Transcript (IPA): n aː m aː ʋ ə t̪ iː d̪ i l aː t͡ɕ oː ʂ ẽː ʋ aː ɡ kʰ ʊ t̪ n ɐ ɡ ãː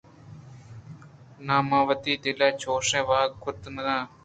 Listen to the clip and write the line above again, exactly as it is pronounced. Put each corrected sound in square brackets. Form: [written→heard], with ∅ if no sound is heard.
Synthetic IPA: n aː m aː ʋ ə t̪ iː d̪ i l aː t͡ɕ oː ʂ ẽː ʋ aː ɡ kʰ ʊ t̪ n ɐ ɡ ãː